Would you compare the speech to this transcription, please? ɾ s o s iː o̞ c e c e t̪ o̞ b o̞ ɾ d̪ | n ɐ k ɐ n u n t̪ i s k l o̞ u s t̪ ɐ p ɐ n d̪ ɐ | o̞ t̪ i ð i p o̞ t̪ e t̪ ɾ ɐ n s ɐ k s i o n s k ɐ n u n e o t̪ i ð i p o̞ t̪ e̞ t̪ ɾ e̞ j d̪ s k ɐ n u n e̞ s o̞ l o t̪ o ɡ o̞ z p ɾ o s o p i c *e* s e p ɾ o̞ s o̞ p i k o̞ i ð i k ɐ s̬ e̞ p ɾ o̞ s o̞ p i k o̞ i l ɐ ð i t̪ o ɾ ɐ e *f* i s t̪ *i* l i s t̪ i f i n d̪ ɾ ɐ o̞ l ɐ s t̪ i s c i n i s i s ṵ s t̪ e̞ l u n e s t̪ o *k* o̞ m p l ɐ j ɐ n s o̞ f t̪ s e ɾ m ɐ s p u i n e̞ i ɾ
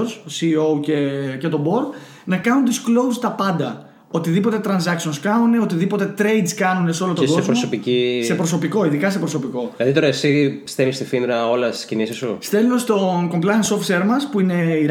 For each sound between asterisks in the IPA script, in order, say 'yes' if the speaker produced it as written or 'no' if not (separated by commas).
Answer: no, no, no, yes